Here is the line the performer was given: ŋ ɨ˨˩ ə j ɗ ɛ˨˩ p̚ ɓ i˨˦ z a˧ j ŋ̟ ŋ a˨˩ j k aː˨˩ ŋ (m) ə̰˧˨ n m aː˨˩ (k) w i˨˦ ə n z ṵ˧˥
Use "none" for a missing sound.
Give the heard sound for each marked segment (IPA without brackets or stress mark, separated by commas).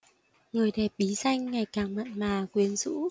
m, k